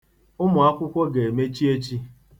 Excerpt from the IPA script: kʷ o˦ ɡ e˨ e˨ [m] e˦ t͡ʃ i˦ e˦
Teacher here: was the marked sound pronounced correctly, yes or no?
yes